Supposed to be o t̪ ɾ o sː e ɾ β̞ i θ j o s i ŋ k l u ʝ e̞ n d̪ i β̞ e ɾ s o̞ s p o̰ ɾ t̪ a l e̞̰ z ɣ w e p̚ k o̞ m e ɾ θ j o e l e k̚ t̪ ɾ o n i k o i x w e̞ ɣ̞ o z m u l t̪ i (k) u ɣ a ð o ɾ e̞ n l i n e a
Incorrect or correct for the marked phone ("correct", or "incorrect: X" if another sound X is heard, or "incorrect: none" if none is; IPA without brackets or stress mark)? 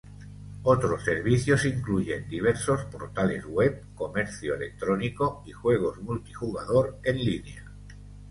incorrect: x